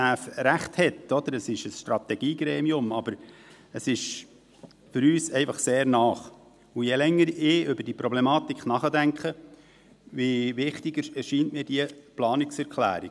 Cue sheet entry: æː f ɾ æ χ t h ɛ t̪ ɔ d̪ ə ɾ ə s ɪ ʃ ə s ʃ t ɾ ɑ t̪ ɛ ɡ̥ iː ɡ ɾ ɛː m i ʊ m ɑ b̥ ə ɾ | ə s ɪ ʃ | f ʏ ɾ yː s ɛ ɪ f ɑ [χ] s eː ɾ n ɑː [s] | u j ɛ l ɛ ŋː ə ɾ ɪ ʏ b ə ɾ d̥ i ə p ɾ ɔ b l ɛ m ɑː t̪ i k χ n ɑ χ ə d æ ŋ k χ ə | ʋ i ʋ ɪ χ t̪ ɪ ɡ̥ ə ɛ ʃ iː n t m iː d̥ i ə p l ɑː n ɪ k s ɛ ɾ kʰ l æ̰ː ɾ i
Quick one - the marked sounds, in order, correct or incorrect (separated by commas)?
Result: correct, incorrect